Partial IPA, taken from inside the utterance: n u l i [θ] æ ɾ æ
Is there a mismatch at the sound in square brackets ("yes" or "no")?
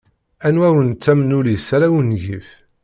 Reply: yes